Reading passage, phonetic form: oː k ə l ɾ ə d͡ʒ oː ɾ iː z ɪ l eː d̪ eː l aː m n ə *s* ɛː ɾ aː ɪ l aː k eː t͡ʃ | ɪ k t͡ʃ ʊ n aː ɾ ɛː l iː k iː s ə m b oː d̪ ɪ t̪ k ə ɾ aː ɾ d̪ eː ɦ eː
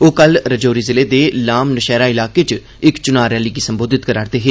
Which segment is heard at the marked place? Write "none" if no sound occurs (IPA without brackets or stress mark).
ʃ